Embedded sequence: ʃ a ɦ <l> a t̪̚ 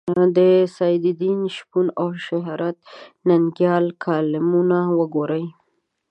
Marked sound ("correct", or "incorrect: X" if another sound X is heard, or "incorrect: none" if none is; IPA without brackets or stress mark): incorrect: ɾ